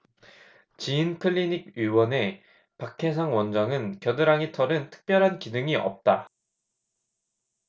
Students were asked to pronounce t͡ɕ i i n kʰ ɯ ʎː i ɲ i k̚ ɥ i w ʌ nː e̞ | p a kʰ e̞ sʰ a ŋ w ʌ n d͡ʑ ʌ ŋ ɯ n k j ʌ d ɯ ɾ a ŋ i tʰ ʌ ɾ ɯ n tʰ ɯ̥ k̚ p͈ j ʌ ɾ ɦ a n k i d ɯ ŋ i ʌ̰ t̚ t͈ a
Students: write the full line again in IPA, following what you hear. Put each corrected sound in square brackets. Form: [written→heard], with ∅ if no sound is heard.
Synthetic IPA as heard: t͡ɕ i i n kʰ ɯ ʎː i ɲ i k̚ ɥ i w ʌ [nː→n] e̞ | p a kʰ e̞ sʰ a ŋ w ʌ n d͡ʑ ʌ ŋ ɯ n k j ʌ d ɯ ɾ a ŋ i tʰ ʌ ɾ ɯ n tʰ ɯ̥ k̚ p͈ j ʌ ɾ ɦ a n k i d ɯ ŋ i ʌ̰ [t̚→p̚] t͈ a

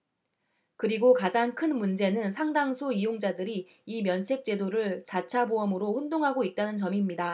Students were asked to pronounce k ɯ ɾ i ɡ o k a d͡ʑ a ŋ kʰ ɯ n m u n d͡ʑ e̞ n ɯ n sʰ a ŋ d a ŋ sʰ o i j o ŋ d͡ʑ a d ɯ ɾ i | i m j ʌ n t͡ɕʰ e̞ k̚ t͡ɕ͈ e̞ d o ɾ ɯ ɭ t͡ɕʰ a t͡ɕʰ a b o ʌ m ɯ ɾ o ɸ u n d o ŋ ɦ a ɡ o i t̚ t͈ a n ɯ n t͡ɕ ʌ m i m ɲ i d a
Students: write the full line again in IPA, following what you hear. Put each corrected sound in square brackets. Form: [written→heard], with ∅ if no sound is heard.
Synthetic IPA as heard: k ɯ ɾ i ɡ o k a d͡ʑ a ŋ kʰ ɯ n m u n d͡ʑ e̞ n ɯ n sʰ a ŋ d a ŋ sʰ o i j o ŋ d͡ʑ a d ɯ ɾ i | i m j ʌ n t͡ɕʰ e̞ k̚ t͡ɕ͈ e̞ d o ɾ ɯ ɭ [t͡ɕʰ→t͡ɕ] a t͡ɕʰ a b o ʌ m ɯ ɾ o ɸ u n d o ŋ ɦ a ɡ o i t̚ t͈ a n ɯ n t͡ɕ ʌ m i m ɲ i d a

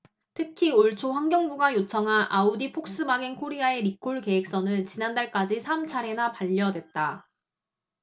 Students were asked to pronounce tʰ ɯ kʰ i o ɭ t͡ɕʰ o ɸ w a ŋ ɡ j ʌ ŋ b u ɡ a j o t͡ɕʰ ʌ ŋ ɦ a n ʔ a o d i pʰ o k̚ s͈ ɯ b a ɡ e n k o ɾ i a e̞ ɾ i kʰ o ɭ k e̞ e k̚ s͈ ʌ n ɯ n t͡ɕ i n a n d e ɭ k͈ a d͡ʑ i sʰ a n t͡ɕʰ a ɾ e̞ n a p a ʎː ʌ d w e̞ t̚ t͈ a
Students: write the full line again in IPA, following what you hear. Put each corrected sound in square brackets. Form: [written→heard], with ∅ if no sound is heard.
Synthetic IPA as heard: tʰ ɯ kʰ i o ɭ t͡ɕʰ o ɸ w a ŋ ɡ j ʌ ŋ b u ɡ a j o t͡ɕʰ ʌ ŋ ɦ a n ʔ a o d i pʰ o k̚ s͈ ɯ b a ɡ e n [k→kʰ] o ɾ i a e̞ ɾ i kʰ o ɭ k e̞ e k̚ s͈ ʌ n ɯ n t͡ɕ i n a n d [e→a] ɭ k͈ a d͡ʑ i sʰ a [n→m] t͡ɕʰ a ɾ e̞ n a p a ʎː ʌ d w e̞ t̚ t͈ a

